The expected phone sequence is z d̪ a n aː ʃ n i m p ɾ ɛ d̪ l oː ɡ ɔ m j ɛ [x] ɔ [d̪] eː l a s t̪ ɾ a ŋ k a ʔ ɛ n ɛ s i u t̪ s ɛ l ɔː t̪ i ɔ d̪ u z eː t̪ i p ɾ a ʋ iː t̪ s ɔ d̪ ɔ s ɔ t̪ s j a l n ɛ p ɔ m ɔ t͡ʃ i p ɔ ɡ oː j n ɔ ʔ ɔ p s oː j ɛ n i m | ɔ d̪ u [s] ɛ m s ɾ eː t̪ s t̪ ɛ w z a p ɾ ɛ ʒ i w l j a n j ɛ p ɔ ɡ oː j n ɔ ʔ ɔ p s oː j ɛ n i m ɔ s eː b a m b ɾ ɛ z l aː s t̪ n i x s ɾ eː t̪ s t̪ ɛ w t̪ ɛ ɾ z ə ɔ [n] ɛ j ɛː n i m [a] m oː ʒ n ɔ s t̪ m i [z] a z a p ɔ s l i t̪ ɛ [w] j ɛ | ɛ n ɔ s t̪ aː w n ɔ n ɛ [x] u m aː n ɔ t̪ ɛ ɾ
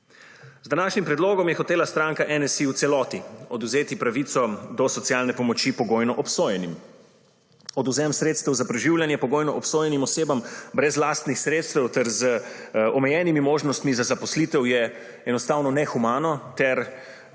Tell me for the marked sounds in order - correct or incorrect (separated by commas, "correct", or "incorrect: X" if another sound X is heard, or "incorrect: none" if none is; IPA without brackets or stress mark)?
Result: correct, incorrect: t̪, incorrect: z, incorrect: m, incorrect: i, correct, correct, correct